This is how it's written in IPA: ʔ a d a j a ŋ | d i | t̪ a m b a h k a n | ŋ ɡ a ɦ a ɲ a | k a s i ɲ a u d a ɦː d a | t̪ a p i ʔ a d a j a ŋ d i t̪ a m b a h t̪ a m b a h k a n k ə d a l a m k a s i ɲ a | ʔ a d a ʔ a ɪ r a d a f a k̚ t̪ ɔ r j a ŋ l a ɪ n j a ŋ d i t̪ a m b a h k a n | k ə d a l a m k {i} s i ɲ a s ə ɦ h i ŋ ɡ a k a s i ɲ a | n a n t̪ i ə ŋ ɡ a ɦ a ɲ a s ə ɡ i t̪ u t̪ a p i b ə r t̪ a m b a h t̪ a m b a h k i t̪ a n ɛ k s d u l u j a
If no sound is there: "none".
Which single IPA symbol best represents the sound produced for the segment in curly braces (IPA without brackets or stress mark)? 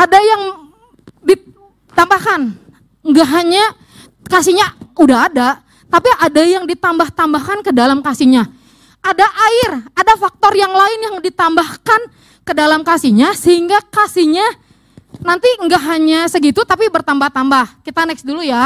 a